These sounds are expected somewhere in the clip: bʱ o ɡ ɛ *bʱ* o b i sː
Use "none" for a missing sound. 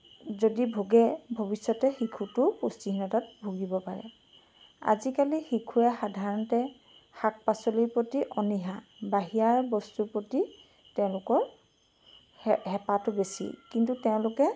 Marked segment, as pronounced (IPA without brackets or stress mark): bʱ